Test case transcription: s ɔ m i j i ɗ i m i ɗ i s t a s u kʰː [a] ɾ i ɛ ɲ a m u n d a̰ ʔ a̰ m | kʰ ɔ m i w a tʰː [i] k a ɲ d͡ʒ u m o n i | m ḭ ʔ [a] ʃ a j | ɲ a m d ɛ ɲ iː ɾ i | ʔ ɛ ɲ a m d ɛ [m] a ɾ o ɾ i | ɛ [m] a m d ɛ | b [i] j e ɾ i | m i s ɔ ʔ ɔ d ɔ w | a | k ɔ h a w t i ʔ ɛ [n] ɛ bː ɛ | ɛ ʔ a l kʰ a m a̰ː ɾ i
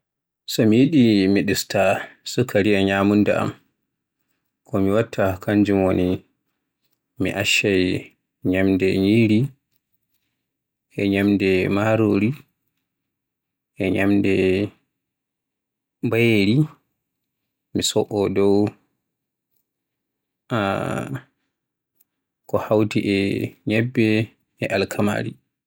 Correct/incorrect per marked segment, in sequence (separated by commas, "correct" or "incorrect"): correct, incorrect, correct, correct, incorrect, incorrect, incorrect